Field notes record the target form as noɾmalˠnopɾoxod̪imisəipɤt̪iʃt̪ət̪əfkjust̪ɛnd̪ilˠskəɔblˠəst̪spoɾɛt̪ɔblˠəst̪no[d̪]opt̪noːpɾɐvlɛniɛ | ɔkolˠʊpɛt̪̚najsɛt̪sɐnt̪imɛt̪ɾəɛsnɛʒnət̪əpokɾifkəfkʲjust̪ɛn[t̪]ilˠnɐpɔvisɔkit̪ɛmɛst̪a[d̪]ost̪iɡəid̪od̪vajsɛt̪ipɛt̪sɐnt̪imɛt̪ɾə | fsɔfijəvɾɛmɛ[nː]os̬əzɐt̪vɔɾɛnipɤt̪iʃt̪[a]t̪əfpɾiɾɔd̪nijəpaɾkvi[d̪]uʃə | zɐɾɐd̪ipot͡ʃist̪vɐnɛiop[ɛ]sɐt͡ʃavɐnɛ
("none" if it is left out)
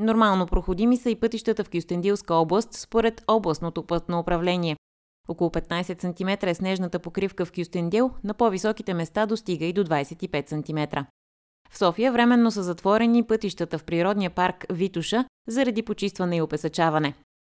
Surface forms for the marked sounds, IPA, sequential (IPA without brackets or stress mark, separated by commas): t̪, d̪, d̪, nː, ə, t̪, ɛ